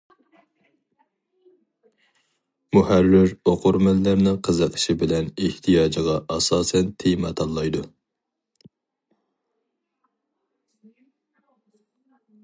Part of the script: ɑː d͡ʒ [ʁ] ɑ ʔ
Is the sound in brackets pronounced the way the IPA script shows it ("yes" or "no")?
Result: yes